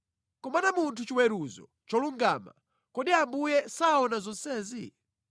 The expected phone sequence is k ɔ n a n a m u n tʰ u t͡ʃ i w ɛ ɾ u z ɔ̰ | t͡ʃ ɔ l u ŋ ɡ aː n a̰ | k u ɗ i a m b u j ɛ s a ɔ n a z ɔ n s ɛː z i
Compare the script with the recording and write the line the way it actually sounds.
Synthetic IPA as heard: k ɔ m a n a m u n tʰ u t͡ʃ i w ɛ ɾ u z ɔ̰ | t͡ʃ ɔ l u ŋ ɡ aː m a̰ | k ɔ ɗ i a m b u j ɛ s a ɔ n a z ɔ n s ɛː z i